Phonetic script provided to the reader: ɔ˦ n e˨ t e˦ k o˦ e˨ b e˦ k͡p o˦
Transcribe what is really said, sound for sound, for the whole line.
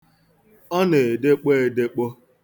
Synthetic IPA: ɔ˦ n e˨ d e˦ k͡p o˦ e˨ d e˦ k͡p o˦